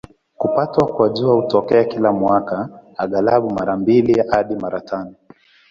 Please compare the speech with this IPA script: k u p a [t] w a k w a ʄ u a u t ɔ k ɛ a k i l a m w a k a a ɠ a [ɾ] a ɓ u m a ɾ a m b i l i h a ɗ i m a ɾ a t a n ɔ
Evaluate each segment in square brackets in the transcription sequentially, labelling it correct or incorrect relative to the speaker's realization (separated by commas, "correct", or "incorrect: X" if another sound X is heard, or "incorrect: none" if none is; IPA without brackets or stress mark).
correct, incorrect: l